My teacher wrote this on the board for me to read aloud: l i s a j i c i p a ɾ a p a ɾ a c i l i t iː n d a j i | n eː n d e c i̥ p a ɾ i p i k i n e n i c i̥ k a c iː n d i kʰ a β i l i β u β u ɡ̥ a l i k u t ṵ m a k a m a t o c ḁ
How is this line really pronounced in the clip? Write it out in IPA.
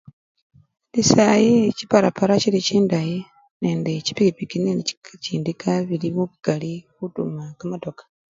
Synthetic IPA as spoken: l i s a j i c i p a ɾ a p a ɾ a c i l i c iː n d a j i | n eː n d e c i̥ p i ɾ i p i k i n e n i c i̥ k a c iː n d i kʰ a β i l i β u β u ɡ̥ a l i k u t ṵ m a k a m a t o k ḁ

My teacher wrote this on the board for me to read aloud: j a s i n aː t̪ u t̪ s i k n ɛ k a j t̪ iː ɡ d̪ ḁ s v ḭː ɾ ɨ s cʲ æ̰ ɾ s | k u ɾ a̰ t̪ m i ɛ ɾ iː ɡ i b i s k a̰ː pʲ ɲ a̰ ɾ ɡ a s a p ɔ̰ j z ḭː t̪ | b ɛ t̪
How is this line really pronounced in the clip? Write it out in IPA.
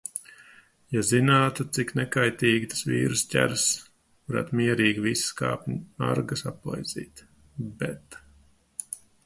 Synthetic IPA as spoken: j a z i n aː t̪ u t̪ s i k n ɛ k a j t̪ iː ɡ t̪ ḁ s v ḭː ɾ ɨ s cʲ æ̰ ɾ s | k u ɾ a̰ t̪ m i ɛ ɾ iː ɡ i v i s k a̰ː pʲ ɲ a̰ ɾ ɡ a s a p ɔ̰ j z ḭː t̪ | b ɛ t̪

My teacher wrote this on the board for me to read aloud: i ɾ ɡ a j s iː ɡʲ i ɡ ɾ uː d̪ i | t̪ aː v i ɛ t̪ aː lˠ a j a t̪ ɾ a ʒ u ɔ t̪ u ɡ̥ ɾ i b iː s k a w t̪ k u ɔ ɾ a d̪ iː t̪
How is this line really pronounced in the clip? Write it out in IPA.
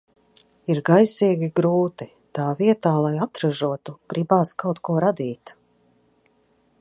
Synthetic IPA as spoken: i ɾ ɡ a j s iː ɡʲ i ɡ ɾ uː t̪ i | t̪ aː v i ɛ t̪ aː lˠ a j a t̪ ɾ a ʒ u ɔ t̪ u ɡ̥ ɾ i b aː s k a w t̪ k u ɔ ɾ a d̪ iː t̪

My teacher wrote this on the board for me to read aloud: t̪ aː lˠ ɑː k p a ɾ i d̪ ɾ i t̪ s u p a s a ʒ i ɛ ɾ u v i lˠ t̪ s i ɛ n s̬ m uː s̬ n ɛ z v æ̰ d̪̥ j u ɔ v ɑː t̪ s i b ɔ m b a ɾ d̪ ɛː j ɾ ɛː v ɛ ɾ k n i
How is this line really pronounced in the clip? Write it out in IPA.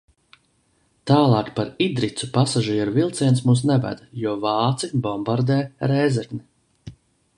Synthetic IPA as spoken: t̪ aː lˠ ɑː k p a ɾ i d̪ ɾ i t̪ s u p a s a ʒ i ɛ ɾ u v i lˠ t̪ s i ɛ n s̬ m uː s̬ n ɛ v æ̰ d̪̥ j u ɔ v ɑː t̪ s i b ɔ m b a ɾ d̪ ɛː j ɾ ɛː z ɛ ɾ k n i

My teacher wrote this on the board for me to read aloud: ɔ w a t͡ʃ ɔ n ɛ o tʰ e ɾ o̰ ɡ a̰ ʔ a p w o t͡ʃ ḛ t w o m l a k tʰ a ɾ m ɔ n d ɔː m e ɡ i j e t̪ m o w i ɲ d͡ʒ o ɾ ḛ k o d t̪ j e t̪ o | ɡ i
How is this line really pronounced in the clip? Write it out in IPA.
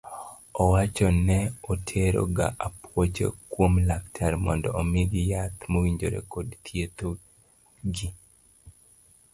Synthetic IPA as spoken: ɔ w a t͡ʃ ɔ n ɛ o tʰ e ɾ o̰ ɡ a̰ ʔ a p w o t͡ʃ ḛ k w o m l a k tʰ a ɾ m ɔ n d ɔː m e ɡ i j a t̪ m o w i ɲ d͡ʒ o ɾ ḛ k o d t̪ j e t̪ o | ɡ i

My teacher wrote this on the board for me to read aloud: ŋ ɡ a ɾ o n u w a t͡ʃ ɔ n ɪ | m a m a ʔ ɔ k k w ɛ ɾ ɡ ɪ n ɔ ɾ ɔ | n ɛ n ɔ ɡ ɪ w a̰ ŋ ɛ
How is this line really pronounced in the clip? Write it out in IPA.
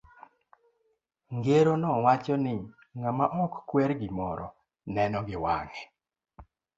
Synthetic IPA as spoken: ŋ ɡ e ɾ o n ɔ w a t͡ʃ ɔ n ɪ | ŋ a m a ʔ ɔ k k w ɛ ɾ ɡ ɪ m ɔ ɾ ɔ | n ɛ n ɔ ɡ ɪ w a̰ ŋ ɛ

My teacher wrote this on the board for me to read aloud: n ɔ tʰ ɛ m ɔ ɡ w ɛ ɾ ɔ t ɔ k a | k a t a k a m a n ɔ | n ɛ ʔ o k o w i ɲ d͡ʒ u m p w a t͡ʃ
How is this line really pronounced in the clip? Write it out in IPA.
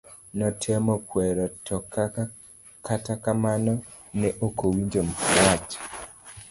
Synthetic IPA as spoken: n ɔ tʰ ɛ m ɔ k w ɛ ɾ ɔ t ɔ k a | k a t a k a m a n ɔ | n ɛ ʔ o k o w i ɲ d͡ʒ o m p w a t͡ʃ

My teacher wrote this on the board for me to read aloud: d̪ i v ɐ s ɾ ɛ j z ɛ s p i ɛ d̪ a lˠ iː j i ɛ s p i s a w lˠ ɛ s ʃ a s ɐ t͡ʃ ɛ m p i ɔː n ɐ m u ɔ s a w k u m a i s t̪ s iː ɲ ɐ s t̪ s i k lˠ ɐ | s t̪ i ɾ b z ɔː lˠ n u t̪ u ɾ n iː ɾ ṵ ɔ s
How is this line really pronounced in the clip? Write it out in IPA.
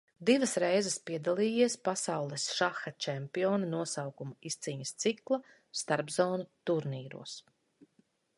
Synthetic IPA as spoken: d̪ i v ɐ s ɾ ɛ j z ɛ s p i ɛ d̪ a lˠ iː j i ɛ s p a s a w lˠ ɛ s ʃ a x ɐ t͡ʃ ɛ m p i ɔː n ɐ n u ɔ s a w k u m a i s t̪ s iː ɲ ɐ s t̪ s i k lˠ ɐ | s t̪ a ɾ b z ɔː n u t̪ u ɾ n iː ɾ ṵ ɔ s

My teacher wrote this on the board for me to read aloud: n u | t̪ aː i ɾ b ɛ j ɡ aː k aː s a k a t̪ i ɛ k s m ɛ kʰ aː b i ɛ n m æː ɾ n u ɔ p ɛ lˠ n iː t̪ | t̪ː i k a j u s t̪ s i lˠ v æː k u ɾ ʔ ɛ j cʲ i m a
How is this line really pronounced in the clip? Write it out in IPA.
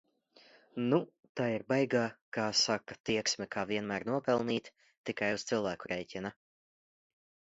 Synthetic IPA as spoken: n u | t̪ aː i ɾ b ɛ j ɡ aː k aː s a k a t̪ i ɛ k s m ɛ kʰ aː v i ɛ n m æː ɾ n u ɔ p ɛ lˠ n iː t̪ | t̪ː i k a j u s t̪ s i lˠ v æː k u ɾ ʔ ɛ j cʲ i n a

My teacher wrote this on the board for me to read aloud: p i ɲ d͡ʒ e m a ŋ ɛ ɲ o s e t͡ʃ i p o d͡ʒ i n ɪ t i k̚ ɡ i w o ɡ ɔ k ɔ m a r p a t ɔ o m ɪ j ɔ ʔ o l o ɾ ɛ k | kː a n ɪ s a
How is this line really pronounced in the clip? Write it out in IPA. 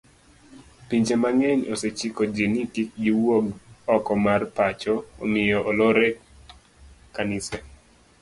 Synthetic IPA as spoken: p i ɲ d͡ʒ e m a ŋ ɛ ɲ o s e t͡ʃ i k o d͡ʒ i n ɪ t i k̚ ɡ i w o ɡ ɔ k ɔ m a r p a t͡ʃ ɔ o m ɪ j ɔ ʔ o l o ɾ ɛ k | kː a n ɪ s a

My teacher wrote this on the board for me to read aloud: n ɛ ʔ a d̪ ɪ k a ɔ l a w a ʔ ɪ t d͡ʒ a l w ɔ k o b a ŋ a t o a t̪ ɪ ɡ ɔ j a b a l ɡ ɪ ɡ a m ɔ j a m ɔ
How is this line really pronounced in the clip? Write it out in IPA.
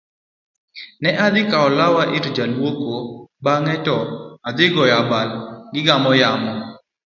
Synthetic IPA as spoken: n ɛ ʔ a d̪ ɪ k a ɔ l a w a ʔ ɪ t d͡ʒ a l w o k o b a ŋ ɛ t ɔ a d̪ ɪ ɡ ɔ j a b a l ɡ ɪ ɡ a m ɔ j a m ɔ

